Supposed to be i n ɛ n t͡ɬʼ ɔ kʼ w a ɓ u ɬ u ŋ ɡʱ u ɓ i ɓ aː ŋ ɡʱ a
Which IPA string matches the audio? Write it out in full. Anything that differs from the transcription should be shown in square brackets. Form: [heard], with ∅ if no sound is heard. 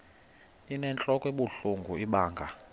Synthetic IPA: i n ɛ n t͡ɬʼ ɔ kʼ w [e] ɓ u ɬ u ŋ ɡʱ u [∅] i ɓ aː ŋ ɡʱ a